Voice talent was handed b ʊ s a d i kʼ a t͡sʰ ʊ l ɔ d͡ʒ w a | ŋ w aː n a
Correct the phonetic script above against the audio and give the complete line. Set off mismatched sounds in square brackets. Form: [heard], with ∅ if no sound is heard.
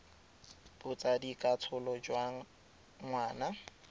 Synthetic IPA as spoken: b ʊ [t͡s] a d i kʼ a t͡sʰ ʊ l ɔ d͡ʒ w a | ŋ w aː n a